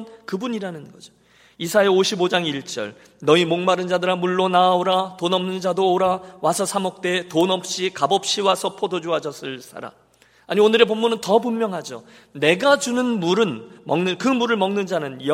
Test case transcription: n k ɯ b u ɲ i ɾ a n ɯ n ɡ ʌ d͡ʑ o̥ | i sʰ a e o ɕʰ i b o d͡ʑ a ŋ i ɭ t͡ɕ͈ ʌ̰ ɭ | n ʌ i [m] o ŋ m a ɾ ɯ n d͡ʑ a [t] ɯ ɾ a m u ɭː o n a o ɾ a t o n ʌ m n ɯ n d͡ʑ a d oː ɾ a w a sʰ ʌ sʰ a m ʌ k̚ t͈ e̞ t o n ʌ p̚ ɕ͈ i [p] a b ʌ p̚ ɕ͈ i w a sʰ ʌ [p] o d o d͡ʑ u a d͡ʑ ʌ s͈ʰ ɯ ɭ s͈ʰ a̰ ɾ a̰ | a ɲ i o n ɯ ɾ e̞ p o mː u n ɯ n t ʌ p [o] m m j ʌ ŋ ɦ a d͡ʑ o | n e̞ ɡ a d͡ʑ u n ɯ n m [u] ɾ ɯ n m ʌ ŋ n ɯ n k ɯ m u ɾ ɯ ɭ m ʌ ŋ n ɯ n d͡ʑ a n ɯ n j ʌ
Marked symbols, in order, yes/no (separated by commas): yes, no, no, no, no, yes